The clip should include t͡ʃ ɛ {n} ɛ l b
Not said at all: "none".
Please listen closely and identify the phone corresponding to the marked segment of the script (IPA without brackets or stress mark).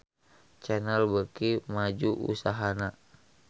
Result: n